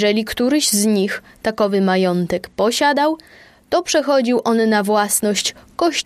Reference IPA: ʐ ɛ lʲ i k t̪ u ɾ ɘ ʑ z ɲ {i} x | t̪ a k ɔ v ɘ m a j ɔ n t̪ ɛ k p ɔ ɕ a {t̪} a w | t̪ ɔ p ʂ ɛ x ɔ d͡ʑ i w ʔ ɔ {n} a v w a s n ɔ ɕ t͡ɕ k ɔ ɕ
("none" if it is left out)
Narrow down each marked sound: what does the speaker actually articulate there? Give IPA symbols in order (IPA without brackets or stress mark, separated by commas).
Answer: i, d̪, nː